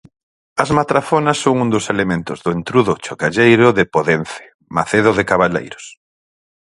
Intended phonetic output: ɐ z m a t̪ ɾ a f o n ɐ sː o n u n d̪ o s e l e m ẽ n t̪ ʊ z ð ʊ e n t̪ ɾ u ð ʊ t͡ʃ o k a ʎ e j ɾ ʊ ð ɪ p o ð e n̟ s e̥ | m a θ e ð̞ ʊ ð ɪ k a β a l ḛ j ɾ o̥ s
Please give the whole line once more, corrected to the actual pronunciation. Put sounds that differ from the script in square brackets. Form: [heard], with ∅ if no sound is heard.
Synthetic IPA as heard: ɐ z m a t̪ ɾ a f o n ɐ sː o [ŋ] u n d̪ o s e l e m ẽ n t̪ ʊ z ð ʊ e n t̪ ɾ u ð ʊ t͡ʃ o k a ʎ e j ɾ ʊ ð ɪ p o ð e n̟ [θ] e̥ | m a θ e ð̞ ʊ ð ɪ k a β a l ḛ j ɾ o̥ s